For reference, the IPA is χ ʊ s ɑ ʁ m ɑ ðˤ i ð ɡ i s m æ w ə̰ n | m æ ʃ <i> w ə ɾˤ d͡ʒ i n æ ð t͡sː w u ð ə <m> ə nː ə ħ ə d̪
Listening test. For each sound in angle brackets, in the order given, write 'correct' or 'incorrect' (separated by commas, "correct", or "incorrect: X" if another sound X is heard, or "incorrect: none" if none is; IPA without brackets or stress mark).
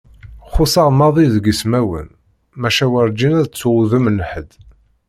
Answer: incorrect: æ, correct